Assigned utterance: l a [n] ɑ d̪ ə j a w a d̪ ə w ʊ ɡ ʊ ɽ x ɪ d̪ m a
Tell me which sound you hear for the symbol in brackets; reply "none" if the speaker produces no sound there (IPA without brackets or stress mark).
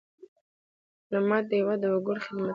m